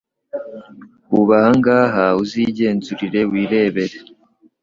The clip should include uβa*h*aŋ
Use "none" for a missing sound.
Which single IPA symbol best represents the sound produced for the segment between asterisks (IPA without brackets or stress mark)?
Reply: h